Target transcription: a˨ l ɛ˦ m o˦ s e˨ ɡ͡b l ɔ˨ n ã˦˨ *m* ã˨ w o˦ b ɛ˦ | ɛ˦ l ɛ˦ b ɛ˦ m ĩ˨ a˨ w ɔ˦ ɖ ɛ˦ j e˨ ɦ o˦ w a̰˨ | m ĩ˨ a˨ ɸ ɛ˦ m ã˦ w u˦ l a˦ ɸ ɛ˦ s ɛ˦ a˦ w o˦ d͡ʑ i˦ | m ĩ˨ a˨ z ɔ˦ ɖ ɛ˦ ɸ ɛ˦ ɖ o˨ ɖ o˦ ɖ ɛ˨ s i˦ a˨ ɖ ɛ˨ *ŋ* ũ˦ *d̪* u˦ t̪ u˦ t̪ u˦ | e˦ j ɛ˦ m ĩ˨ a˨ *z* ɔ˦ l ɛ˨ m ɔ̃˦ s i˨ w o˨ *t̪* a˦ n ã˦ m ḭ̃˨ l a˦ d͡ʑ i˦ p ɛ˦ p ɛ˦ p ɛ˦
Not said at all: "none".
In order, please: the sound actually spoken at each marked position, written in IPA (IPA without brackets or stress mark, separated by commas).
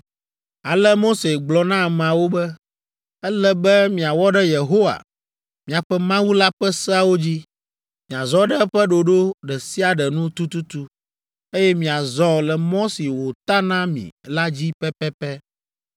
m, n, t̪, z, t̪